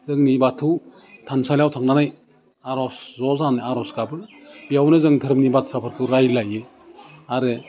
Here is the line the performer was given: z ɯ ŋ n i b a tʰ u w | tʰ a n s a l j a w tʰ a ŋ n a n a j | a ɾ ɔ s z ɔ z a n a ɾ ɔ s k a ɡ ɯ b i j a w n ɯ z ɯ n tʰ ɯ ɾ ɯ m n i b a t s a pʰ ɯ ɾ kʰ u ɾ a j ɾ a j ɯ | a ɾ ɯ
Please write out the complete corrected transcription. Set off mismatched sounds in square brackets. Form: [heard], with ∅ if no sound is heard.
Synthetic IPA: z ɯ ŋ n i b a tʰ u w | tʰ a n s a l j a w tʰ a ŋ n a n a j | a ɾ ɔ s z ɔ z a n a ɾ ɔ s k a [b] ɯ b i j a w n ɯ z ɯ [ŋ] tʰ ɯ ɾ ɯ m n i b a t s a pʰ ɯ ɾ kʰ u ɾ a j [l] a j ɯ | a ɾ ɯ